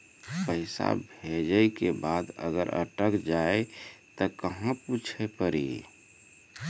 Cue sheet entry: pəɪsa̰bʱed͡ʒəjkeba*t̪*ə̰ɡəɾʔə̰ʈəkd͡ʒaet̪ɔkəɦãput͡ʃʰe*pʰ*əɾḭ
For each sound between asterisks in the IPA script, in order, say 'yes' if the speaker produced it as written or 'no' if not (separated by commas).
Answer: no, no